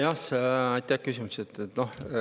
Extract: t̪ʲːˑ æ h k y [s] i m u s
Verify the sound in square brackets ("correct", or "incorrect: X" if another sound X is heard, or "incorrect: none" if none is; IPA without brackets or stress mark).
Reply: correct